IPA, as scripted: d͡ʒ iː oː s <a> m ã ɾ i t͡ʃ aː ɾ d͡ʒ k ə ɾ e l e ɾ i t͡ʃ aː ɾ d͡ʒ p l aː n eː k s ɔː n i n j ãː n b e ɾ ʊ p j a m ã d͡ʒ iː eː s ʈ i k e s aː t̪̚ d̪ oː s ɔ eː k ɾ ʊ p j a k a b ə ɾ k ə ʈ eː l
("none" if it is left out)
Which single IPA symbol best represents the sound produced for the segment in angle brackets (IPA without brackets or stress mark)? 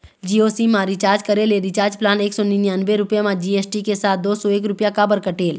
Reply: i